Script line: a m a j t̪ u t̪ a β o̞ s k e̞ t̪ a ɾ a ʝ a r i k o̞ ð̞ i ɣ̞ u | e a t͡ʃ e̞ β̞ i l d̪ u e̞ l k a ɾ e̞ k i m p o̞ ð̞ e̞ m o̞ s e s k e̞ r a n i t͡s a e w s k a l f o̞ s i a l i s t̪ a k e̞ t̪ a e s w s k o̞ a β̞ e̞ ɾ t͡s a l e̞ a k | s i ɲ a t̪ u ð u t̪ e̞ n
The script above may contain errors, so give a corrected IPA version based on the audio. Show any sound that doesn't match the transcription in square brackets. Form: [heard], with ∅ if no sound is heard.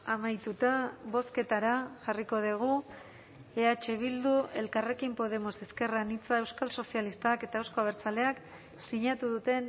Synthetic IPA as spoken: a m a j t̪ u t̪ a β o̞ s k e̞ t̪ a ɾ a ʝ a r i k o̞ ð̞ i ɣ̞ u | e a t͡ʃ e̞ β̞ i l d̪ u e̞ l k a [r] e̞ k i m p o̞ ð̞ e̞ m o̞ s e s k e̞ r a n i t͡s a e w s k a l [s] o̞ s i a l i s t̪ a k e̞ t̪ a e [∅] w s k o̞ a β̞ e̞ ɾ t͡s a l e̞ a k | s i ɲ a t̪ u ð u t̪ e̞ n